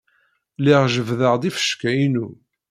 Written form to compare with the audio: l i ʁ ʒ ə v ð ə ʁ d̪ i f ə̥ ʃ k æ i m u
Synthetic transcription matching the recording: l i ʁ ʒ ə v ð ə ʁ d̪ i f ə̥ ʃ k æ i n u